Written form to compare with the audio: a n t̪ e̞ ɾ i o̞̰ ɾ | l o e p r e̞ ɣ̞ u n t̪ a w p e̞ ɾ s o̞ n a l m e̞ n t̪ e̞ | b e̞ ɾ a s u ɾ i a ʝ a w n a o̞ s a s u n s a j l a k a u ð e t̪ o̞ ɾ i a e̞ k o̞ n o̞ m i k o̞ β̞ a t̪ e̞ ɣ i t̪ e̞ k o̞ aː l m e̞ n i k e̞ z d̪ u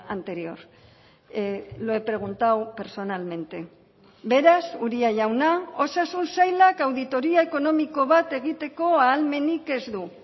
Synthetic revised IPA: a n t̪ e̞ ɾ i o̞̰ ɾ | l o e p ɾ e̞ ɣ̞ u n t̪ a w p e̞ ɾ s o̞ n a l m e̞ n t̪ e̞ | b e̞ ɾ a s u ɾ i a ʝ a w n a o̞ s a s u n s a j l a k a w ð i t̪ o̞ ɾ i a e̞ k o̞ n o̞ m i k o̞ β̞ a t̪ e̞ ɣ i t̪ e̞ k o̞ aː l m e̞ n i k e̞ z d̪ u